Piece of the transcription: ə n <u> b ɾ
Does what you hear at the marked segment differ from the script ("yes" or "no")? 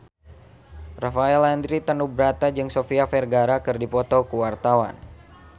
no